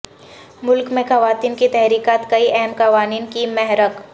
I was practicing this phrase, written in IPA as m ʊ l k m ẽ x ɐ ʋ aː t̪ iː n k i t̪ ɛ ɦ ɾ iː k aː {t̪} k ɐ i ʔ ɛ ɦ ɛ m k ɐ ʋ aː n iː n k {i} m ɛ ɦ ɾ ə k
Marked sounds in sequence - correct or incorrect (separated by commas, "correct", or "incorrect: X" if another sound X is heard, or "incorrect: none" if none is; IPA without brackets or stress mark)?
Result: correct, correct